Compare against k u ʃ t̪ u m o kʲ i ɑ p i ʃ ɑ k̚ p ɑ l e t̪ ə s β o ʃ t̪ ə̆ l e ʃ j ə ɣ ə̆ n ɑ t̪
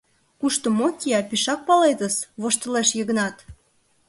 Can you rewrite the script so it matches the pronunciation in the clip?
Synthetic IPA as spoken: k u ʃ t̪ o m o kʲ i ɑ p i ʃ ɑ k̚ p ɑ l e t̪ ə s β o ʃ t̪ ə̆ l e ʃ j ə ɣ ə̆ n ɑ t̪